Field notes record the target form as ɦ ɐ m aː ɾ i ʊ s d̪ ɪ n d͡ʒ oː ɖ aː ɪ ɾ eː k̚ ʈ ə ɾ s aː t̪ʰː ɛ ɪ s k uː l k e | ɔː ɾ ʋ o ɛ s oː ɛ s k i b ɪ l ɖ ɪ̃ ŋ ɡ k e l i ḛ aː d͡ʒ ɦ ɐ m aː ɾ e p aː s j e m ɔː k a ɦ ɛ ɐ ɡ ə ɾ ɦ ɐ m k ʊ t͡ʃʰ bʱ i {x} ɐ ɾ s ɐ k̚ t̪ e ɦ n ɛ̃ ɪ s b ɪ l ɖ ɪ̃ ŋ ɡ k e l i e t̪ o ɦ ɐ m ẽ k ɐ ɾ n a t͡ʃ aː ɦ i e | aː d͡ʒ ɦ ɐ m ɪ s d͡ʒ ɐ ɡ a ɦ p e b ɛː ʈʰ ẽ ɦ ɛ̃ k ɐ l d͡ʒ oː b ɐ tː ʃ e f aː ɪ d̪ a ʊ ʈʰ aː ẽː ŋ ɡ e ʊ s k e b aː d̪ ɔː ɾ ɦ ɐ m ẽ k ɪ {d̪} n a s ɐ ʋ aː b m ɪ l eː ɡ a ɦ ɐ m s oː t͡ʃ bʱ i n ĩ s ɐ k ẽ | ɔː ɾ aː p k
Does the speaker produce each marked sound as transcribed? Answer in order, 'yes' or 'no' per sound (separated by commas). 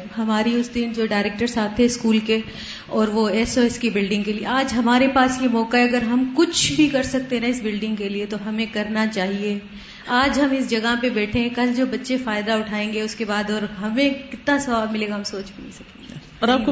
no, no